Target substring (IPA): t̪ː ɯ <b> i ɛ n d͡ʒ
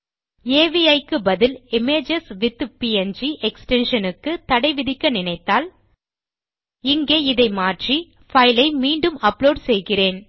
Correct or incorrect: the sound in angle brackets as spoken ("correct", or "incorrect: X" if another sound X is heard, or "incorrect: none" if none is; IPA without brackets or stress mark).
incorrect: p